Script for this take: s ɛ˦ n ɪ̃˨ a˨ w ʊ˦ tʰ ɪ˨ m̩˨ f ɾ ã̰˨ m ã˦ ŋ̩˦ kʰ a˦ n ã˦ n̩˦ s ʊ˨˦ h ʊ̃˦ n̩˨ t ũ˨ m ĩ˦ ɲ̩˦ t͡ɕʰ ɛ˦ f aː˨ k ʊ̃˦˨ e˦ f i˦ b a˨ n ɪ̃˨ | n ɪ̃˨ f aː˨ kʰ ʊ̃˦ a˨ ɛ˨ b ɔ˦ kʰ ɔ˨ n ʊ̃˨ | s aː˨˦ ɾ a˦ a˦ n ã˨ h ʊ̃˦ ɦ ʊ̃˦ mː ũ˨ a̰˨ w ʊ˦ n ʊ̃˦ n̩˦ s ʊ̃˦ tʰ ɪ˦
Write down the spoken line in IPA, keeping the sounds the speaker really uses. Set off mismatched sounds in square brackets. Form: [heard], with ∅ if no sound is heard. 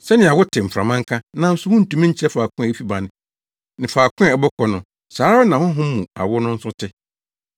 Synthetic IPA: s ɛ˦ n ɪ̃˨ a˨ w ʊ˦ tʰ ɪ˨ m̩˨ f ɾ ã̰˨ m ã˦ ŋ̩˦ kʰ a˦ n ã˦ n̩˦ s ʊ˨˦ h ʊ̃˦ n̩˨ t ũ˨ m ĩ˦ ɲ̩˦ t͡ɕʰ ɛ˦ f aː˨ k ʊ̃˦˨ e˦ f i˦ b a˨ n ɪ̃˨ | n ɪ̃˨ f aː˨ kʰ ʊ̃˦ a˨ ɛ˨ b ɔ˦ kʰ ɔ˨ n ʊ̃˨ | s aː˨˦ ɾ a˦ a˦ n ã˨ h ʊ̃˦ ɦ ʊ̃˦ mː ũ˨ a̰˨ w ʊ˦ n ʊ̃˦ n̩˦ s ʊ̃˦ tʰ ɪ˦